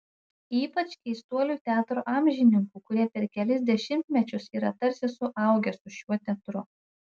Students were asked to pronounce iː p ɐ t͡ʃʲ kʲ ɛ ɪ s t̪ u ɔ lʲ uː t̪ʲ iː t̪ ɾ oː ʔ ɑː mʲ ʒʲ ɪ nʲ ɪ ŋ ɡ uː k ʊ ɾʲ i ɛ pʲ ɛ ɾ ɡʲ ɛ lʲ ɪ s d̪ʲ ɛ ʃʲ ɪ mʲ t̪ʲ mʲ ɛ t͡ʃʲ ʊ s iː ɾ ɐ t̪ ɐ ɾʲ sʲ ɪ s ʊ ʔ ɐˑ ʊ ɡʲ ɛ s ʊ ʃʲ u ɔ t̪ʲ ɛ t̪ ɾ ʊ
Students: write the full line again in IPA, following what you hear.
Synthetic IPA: iː p ɐ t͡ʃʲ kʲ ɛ ɪ s t̪ u ɔ lʲ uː t̪ʲ æː t̪ ɾ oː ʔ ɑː mʲ ʒʲ ɪ nʲ ɪ ŋ k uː k ʊ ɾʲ i ɛ pʲ ɛ ɾ kʲ ɛ lʲ ɪ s d̪ʲ ɛ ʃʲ ɪ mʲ t̪ʲ mʲ ɛ t͡ʃʲ ʊ s iː ɾ ɐ t̪ ɐ ɾʲ sʲ ɪ s ʊ ʔ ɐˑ ʊ ɡʲ ɛ s ʊ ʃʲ u ɔ t̪ʲ ɛ t̪ ɾ ʊ